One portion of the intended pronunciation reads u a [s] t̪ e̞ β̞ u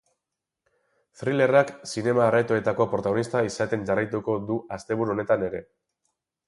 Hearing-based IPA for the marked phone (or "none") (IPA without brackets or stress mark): s